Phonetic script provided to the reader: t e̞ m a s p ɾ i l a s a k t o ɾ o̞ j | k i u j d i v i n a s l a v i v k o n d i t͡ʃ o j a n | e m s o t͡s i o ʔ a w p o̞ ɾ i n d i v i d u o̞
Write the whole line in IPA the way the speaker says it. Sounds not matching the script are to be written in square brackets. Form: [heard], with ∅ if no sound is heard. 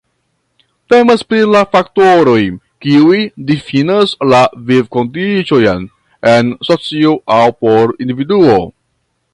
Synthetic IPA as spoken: t e̞ m a s p ɾ i l a [f] a k t o ɾ o̞ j | k i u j d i [f] i n a s l a v i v k o n d i t͡ʃ o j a n | e [n] s o t͡s i o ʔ a w p o̞ ɾ i n d i v i d u o̞